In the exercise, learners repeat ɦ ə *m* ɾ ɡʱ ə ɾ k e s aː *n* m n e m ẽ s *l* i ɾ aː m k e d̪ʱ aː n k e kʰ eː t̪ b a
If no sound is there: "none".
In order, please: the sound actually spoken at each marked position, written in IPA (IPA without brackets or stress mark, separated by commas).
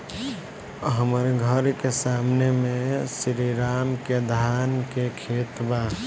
m, none, ɾ